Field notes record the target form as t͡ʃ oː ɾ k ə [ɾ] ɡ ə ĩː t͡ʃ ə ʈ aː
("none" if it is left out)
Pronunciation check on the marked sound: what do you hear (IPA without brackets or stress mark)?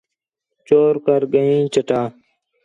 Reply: ɾ